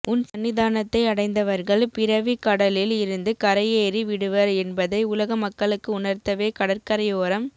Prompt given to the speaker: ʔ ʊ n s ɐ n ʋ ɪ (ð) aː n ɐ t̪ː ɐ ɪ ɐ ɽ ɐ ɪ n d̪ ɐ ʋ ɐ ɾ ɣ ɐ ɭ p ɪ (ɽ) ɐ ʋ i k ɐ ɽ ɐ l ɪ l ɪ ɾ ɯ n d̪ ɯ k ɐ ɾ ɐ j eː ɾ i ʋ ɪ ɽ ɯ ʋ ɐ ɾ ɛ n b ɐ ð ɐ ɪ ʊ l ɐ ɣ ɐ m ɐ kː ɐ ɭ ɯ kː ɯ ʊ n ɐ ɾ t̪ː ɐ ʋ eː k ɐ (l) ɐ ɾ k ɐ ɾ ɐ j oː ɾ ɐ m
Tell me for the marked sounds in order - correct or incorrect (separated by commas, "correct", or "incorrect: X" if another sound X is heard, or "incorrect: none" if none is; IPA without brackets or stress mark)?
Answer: correct, incorrect: ɾ, incorrect: ɽ